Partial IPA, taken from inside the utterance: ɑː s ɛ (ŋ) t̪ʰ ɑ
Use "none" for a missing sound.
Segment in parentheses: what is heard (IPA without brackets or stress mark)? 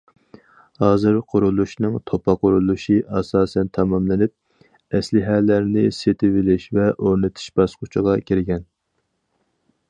n